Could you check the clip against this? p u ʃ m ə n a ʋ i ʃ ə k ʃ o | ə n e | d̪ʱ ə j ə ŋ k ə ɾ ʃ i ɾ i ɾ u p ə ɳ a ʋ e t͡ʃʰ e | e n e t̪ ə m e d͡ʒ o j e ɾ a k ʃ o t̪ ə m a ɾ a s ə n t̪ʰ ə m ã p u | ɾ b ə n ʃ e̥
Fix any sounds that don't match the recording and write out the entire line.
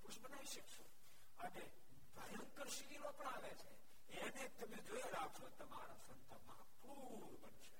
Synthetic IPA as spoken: p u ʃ b ə n a ʋ i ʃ ə k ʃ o | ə n e | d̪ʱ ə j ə ŋ k ə ɾ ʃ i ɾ i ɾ o p ə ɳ a ʋ e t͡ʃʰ e | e n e t̪ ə m e d͡ʒ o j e ɾ a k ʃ o t̪ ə m a ɾ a s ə n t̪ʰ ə m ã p u | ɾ b ə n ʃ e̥